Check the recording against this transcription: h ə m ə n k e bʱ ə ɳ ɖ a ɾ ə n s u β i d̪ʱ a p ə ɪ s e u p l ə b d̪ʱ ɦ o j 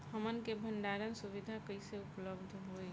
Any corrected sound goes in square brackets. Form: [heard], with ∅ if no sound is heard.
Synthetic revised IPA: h ə m ə n k e bʱ ə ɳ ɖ a ɾ ə n s u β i d̪ʱ a [k] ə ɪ s e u p l ə b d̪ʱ ɦ o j